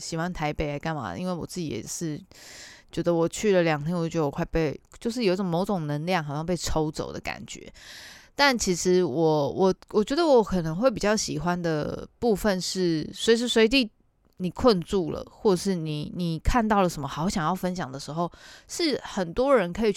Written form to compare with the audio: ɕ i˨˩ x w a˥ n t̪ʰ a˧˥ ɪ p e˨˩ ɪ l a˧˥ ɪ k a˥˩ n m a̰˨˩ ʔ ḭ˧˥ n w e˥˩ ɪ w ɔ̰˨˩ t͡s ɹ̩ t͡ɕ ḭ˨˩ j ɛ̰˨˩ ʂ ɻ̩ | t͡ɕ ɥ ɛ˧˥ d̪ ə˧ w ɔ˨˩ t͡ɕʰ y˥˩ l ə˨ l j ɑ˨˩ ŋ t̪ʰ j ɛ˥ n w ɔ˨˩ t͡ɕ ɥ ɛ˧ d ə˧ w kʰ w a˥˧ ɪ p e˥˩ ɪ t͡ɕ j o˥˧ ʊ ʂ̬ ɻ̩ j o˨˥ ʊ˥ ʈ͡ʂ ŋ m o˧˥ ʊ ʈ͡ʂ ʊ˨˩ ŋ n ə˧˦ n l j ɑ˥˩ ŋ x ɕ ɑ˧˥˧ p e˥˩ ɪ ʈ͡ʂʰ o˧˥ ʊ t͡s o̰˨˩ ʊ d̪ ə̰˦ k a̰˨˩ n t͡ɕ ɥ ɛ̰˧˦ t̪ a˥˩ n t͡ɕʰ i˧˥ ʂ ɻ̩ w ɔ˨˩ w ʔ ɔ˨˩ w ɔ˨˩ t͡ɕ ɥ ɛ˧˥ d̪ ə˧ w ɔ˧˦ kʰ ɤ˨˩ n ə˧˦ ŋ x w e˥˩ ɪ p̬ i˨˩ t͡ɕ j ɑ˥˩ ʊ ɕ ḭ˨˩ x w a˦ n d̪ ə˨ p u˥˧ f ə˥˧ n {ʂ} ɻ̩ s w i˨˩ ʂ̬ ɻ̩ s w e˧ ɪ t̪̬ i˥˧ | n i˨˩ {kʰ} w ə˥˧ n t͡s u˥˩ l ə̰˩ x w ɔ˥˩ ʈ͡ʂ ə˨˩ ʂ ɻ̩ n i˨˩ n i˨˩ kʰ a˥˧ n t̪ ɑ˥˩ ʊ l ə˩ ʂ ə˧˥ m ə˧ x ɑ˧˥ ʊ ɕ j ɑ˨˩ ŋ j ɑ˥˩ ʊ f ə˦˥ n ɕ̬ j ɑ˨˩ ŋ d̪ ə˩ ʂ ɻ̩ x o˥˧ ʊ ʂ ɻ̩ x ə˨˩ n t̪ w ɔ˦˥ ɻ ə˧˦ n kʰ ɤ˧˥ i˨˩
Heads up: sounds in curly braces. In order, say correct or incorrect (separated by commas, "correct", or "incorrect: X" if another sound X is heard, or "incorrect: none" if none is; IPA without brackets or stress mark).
correct, correct